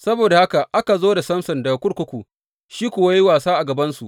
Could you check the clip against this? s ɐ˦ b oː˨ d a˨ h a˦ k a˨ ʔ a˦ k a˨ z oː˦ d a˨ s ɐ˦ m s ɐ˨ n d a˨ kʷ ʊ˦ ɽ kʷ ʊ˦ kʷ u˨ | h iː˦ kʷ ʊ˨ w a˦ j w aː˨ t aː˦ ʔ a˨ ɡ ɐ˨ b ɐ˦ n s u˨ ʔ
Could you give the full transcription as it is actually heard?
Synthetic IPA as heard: s ɐ˦ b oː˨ d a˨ h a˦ k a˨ ʔ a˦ k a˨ z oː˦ d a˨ s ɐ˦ m s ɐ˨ n d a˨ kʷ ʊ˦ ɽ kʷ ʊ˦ kʷ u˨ | ʃ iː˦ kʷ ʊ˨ w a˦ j w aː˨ s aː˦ ʔ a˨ ɡ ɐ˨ b ɐ˦ n s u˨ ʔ